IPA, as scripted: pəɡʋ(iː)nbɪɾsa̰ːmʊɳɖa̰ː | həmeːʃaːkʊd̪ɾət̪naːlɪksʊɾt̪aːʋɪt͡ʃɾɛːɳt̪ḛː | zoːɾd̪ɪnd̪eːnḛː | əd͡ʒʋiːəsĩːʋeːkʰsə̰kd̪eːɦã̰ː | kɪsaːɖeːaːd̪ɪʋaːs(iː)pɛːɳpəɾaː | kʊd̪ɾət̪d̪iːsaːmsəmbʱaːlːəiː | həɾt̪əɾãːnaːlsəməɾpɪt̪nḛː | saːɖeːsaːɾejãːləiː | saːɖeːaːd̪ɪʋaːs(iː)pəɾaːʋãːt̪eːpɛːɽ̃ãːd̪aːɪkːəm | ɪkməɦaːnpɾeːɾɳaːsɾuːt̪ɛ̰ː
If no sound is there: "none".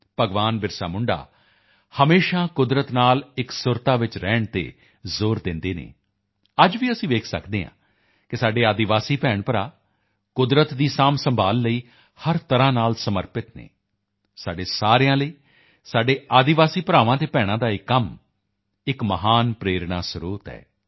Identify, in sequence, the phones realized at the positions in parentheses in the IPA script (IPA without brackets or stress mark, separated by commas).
aː, iː, iː